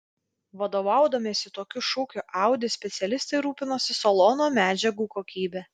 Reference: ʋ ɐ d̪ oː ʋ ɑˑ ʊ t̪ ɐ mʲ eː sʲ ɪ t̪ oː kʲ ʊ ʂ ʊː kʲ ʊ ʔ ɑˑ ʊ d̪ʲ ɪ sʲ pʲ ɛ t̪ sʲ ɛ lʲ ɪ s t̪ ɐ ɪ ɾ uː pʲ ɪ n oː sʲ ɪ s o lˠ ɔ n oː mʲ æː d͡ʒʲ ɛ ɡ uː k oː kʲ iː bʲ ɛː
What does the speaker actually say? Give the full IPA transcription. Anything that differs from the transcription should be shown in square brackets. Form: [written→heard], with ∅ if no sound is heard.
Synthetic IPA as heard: ʋ ɐ d̪ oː ʋ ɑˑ ʊ [t̪→d̪] ɐ mʲ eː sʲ ɪ t̪ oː kʲ ʊ [ʂ→ʃ] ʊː kʲ ʊ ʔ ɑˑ ʊ d̪ʲ ɪ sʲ pʲ ɛ t̪ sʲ ɛ lʲ ɪ s t̪ ɐ ɪ ɾ uː pʲ ɪ n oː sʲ ɪ s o lˠ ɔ n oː mʲ æː d͡ʒʲ ɛ ɡ uː k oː kʲ iː bʲ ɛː

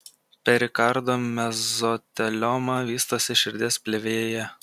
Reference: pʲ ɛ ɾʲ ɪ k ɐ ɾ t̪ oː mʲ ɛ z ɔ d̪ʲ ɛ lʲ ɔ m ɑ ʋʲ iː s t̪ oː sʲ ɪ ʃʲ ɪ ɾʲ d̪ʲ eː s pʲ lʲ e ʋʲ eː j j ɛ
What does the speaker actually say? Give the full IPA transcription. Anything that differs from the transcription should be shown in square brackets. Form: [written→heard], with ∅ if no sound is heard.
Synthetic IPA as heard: pʲ ɛ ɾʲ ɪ k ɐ ɾ [t̪→d̪] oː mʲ ɛ z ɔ [d̪ʲ→t̪ʲ] ɛ lʲ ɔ m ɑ ʋʲ iː s t̪ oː sʲ ɪ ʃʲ ɪ ɾʲ d̪ʲ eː s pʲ lʲ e ʋʲ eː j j ɛ

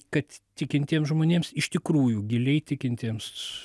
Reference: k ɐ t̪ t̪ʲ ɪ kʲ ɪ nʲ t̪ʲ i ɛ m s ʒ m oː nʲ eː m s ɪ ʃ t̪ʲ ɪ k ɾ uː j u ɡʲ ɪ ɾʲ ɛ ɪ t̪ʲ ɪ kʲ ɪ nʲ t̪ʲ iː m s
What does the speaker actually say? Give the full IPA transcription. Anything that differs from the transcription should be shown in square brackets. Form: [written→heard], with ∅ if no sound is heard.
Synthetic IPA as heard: k ɐ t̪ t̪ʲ ɪ kʲ ɪ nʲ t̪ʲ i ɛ m s ʒ m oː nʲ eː m s ɪ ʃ t̪ʲ ɪ k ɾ uː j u ɡʲ ɪ [ɾʲ→lʲ] ɛ ɪ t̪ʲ ɪ kʲ ɪ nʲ t̪ʲ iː m s

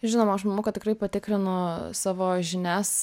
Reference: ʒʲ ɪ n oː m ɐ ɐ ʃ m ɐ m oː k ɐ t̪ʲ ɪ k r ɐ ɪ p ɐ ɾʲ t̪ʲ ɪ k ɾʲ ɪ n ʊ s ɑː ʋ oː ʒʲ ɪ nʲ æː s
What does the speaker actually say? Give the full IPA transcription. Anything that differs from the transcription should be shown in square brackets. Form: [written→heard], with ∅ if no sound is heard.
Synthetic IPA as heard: ʒʲ ɪ n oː m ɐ ɐ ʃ m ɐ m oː k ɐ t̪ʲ ɪ k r ɐ ɪ p ɐ [ɾʲ→∅] t̪ʲ ɪ k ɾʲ ɪ n ʊ s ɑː ʋ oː ʒʲ ɪ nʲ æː s

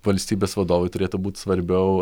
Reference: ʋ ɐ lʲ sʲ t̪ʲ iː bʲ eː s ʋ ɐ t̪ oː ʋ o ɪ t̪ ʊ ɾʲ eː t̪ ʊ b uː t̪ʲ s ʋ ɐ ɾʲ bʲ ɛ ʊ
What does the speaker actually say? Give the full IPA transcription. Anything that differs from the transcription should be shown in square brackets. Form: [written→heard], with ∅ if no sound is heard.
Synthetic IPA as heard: ʋ ɐ lʲ sʲ t̪ʲ iː bʲ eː s ʋ ɐ [t̪→d̪] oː ʋ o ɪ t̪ ʊ ɾʲ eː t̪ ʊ b uː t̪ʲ s ʋ ɐ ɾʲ bʲ ɛ ʊ

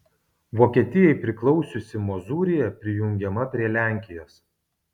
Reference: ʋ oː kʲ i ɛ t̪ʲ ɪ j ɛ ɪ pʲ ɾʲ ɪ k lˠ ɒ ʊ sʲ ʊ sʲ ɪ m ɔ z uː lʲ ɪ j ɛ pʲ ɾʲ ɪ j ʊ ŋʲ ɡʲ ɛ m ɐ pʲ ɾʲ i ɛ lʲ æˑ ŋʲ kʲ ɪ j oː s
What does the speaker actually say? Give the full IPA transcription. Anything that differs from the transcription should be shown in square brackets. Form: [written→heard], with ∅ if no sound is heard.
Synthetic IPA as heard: ʋ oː kʲ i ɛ t̪ʲ ɪ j ɛ ɪ pʲ ɾʲ ɪ k lˠ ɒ ʊ sʲ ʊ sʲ ɪ m ɔ z uː [lʲ→ɾʲ] ɪ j ɛ pʲ ɾʲ ɪ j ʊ ŋʲ ɡʲ ɛ m ɐ pʲ ɾʲ i ɛ lʲ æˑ ŋʲ kʲ ɪ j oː s

